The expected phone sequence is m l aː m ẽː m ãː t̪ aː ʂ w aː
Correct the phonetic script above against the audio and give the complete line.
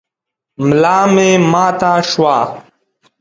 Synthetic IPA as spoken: m l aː m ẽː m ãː t̪ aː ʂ w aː